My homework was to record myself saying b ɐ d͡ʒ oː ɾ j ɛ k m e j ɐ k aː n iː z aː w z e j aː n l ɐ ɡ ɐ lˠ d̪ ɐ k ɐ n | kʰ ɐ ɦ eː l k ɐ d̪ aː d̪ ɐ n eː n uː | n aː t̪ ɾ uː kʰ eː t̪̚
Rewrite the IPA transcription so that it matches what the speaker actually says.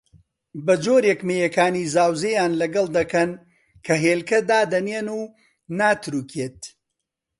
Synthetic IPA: b ɐ d͡ʒ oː ɾ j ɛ k m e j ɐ k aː n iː z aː w z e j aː n l ɐ ɡ ɐ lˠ d̪ ɐ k ɐ n | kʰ ɐ ɦ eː l k ɐ d̪ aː d̪ ɐ n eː n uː | n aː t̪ ɾ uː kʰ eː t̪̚

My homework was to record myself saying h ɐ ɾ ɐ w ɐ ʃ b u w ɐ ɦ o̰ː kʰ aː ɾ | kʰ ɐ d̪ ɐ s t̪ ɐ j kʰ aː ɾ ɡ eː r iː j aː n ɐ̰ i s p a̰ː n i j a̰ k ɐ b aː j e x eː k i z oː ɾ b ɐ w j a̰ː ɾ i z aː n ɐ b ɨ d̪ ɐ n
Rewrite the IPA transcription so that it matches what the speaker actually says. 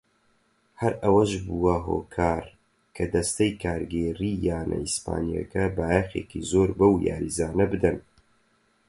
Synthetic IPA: h ɐ ɾ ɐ w ɐ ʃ b u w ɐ ɦ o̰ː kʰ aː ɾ | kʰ ɐ d̪ ɐ s t̪ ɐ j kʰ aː ɾ ɡ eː r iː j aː n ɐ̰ i s p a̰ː n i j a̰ k ɐ b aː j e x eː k i z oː ɾ b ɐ w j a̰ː ɾ i z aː n ɐ b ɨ d̪ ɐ n

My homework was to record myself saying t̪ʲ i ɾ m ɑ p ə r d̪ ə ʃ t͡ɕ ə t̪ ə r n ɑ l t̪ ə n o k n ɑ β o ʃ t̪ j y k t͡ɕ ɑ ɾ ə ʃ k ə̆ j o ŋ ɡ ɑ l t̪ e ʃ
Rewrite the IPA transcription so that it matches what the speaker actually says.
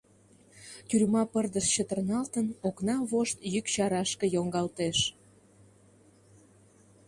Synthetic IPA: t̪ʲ y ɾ m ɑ p ə r d̪ ə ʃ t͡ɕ ə t̪ ə r n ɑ l t̪ ə n o k n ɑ β o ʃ t̪ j y k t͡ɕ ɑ ɾ ɑ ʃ k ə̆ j o ŋ ɡ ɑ l t̪ e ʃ

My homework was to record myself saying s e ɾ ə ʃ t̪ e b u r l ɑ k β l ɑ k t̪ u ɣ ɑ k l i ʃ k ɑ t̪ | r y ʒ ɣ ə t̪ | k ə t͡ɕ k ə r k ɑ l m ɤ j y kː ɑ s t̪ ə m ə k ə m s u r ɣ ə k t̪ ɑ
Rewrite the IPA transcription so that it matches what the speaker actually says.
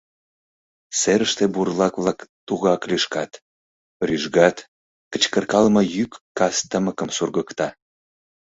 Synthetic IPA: s e ɾ ə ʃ t̪ e b u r l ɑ k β l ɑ k t̪ u ɣ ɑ k l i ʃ k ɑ t̪ | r y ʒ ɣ ɑ t̪ | k ə t͡ɕ k ə r k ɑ l m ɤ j y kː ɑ s t̪ ə m ə k ə m s u r ɣ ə k t̪ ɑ

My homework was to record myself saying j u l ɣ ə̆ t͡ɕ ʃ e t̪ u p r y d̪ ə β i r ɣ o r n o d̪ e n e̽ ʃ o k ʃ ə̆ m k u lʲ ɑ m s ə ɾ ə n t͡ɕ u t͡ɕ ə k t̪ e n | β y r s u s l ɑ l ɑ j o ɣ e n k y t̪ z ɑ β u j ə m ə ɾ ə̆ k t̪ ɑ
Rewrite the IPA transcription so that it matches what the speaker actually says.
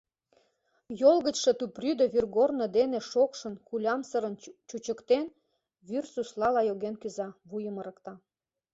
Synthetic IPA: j o l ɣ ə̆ t͡ɕ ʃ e t̪ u p r y d̪ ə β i r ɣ o r n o d̪ e n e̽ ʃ o k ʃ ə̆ n k u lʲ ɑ m s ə ɾ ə n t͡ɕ u t͡ɕ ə k t̪ e n | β y r s u s l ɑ l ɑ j o ɣ e n k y z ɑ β u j ə m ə ɾ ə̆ k t̪ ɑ

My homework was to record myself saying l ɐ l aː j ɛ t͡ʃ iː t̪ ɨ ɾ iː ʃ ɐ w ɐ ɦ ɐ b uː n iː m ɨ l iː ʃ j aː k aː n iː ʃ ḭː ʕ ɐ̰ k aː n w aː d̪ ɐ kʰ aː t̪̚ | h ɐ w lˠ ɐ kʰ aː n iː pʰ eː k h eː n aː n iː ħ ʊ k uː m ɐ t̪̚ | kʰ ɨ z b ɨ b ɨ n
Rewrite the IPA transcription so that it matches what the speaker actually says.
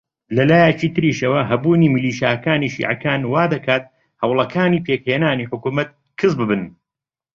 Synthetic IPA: l ɐ l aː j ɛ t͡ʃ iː t̪ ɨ ɾ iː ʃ ɐ w ɐ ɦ ɐ b uː n iː m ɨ l iː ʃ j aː k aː n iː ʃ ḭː ʕ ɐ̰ k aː n w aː d̪ ɐ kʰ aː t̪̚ | h ɐ w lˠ ɐ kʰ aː n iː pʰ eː k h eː n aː n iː ħ ʊ k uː m ɐ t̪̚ | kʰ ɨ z b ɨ b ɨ n

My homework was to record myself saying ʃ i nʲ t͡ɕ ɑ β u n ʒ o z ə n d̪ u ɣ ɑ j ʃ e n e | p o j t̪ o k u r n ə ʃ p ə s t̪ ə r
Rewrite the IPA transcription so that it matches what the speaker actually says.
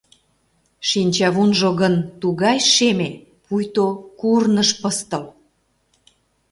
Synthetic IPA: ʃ i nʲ t͡ɕ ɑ β u n ʒ o ɣ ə n t̪ u ɣ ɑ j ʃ e m e | p u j t̪ o k u r n ə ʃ p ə s t̪ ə l

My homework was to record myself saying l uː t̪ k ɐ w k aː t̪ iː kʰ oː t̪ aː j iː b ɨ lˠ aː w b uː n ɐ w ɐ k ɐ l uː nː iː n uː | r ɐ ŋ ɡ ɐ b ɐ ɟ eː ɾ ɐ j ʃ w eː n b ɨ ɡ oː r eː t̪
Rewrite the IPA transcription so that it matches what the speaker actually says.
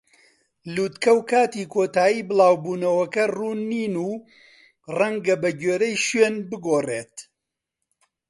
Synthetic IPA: l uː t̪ k ɐ w k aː t̪ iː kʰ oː t̪ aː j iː b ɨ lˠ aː w b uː n ɐ w ɐ k ɐ r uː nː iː n uː | r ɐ ŋ ɡ ɐ b ɐ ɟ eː ɾ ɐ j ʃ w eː n b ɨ ɡ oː r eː t̪

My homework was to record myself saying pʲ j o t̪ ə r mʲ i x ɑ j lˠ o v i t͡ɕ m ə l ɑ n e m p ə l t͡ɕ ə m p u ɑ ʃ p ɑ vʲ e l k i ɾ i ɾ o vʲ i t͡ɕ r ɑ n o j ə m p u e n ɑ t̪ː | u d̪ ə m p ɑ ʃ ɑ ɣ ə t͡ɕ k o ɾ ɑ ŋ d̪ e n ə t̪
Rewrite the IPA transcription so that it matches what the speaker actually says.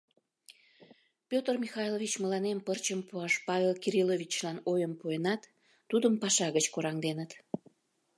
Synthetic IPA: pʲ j o t̪ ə r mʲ i x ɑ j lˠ o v i t͡ɕ m ə l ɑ n e m p ə r t͡ɕ ə m p u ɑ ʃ p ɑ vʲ e l k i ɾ i l o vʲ i t͡ɕ l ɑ n o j ə m p u e n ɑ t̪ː | u d̪ ə m p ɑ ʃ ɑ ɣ ə t͡ɕ k o ɾ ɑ ŋ d̪ e n ə t̪

